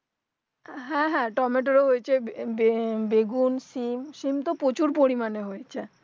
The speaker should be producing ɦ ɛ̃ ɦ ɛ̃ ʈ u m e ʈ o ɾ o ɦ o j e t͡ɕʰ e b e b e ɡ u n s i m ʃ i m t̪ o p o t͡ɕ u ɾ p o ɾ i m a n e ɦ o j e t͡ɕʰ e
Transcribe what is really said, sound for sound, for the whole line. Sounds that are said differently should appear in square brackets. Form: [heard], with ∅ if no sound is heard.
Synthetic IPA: ɦ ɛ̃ ɦ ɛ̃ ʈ [ɔ] m e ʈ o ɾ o ɦ o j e t͡ɕʰ e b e b e ɡ u n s i m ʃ i m t̪ o p o t͡ɕ u ɾ p o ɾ i m a n e ɦ o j e t͡ɕʰ e